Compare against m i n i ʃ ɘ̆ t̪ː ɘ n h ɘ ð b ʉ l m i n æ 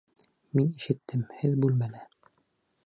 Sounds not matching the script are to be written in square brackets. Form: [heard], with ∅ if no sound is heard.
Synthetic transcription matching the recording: m i n i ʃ ɘ̆ t̪ː ɘ [m] h ɘ ð b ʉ l m [æ] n æ